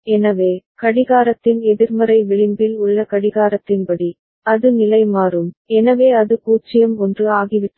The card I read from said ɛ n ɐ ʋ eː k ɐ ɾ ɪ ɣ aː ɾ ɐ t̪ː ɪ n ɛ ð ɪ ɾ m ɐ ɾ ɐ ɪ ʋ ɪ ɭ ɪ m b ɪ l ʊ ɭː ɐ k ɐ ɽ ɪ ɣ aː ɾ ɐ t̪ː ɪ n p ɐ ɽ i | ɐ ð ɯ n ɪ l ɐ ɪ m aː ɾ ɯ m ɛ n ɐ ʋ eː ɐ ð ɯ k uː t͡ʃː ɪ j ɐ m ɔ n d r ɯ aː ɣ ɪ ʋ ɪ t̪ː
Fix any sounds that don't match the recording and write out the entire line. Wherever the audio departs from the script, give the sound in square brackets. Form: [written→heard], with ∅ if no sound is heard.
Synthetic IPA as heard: ɛ n ɐ ʋ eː k ɐ [ɾ→ɽ] ɪ ɣ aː ɾ ɐ t̪ː ɪ n ɛ ð ɪ ɾ m ɐ ɾ ɐ ɪ ʋ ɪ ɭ ɪ m b ɪ l ʊ ɭː ɐ k ɐ ɽ ɪ ɣ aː ɾ ɐ t̪ː ɪ n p ɐ ɽ i | ɐ ð ɯ n ɪ l ɐ ɪ m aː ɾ ɯ m ɛ n ɐ ʋ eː ɐ ð ɯ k uː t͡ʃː ɪ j ɐ m ɔ n d r ɯ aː ɣ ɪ ʋ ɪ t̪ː